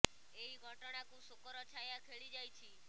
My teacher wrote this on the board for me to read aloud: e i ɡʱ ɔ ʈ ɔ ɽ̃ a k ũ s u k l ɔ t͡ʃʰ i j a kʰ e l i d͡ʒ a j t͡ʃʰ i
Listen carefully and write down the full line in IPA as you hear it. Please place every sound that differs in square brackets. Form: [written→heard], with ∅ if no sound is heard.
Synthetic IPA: e i ɡʱ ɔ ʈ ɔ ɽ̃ a k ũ s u k [l→ɾ] ɔ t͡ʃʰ [i→a] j a kʰ e [l→ɭ] i d͡ʒ a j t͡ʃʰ i